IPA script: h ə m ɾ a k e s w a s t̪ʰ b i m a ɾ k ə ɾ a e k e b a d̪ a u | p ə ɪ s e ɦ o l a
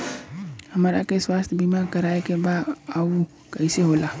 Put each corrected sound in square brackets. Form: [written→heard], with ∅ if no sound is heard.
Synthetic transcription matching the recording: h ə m ɾ a k e s w a s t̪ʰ b i m a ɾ k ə ɾ a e k e b a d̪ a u | [p→k] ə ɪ s e ɦ o l a